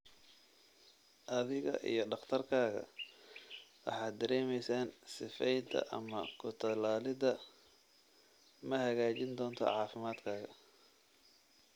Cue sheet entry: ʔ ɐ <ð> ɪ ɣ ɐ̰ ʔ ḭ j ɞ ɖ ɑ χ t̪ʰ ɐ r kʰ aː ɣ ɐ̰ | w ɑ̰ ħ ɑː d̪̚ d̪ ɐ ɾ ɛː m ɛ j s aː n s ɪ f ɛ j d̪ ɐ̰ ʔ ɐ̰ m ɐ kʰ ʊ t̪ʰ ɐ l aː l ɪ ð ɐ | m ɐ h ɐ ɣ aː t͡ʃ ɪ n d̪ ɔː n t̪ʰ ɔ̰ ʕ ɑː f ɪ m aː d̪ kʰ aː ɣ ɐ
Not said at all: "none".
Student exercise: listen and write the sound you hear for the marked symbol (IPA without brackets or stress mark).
ð